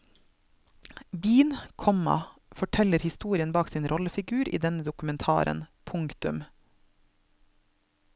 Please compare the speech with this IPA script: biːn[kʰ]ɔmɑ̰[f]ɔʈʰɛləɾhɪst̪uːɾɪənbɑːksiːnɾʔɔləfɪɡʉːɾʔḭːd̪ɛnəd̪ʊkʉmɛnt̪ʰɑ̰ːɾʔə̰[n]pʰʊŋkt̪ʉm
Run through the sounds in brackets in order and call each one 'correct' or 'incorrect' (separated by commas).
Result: correct, correct, correct